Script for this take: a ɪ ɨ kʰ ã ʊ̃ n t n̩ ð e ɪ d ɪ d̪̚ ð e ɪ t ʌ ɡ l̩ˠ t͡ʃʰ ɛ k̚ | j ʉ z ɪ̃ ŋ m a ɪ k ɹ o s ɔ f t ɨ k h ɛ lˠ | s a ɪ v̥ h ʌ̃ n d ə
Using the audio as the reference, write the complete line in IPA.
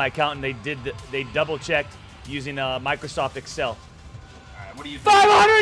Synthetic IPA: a ɪ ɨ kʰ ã ʊ̃ n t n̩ ð e ɪ d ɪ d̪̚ ð e ɪ d ʌ b l̩ˠ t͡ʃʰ ɛ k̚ | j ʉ z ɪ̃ ŋ m a ɪ k ɹ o s ɔ f t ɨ k s ɛ lˠ | f a ɪ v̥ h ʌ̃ n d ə